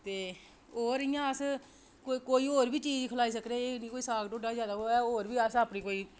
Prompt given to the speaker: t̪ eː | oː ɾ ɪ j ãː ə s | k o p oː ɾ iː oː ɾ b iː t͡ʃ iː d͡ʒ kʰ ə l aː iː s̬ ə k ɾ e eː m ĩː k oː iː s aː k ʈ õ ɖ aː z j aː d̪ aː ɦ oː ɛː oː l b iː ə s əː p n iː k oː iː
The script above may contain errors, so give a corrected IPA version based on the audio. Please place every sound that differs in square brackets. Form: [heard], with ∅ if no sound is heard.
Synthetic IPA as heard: t̪ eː | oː ɾ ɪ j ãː ə s | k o [k] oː [∅] iː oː ɾ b iː t͡ʃ iː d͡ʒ kʰ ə l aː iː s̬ ə k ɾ e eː [n] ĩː k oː iː s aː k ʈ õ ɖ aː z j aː d̪ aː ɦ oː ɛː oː [ɾ] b iː ə s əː p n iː k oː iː